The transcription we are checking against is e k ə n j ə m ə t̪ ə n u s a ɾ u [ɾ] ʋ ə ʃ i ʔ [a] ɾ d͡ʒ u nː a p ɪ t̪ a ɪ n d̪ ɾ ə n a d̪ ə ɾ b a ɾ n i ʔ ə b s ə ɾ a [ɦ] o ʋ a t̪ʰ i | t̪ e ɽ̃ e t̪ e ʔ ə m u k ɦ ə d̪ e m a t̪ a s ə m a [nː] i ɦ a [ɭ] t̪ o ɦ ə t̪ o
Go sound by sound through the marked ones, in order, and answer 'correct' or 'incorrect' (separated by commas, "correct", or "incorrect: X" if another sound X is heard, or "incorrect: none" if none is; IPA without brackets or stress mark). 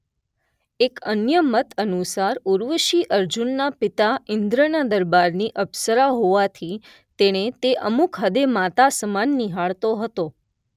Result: correct, incorrect: ə, correct, correct, correct